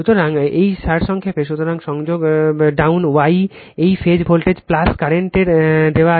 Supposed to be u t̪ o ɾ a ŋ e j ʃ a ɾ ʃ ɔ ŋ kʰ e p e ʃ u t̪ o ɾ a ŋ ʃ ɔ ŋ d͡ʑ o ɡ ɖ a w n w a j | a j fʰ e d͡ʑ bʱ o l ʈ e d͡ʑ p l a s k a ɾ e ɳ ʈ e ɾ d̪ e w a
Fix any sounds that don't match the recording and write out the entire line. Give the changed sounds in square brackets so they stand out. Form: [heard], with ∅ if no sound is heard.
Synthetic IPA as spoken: u t̪ o ɾ a ŋ e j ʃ a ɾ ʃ ɔ ŋ kʰ e p e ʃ u t̪ o ɾ a ŋ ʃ ɔ ŋ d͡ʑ o ɡ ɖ a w n w a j | [e] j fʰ e d͡ʑ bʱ o l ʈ e d͡ʑ p l a s k a ɾ e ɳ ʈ e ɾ d̪ e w a